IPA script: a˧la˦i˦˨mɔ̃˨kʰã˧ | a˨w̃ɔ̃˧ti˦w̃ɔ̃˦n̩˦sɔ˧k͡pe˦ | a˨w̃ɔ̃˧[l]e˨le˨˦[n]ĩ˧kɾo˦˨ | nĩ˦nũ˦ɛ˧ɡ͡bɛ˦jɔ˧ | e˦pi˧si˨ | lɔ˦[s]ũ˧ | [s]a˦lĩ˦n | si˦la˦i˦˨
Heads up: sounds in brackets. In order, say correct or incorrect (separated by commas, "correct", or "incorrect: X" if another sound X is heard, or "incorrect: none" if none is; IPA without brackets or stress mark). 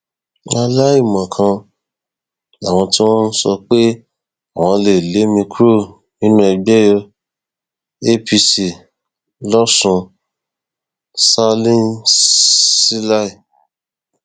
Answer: correct, incorrect: m, correct, correct